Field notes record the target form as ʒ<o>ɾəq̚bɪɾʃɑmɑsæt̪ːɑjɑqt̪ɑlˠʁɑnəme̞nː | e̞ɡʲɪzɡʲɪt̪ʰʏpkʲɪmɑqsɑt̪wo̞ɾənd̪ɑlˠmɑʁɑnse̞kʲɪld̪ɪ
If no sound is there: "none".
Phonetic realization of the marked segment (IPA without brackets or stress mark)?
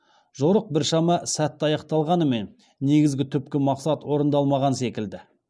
o